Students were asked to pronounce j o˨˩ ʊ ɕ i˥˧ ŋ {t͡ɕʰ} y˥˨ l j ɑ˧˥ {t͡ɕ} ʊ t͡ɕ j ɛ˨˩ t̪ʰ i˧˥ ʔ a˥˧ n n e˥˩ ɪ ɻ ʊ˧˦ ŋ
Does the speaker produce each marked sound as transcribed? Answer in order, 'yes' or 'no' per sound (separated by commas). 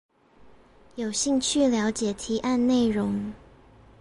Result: yes, no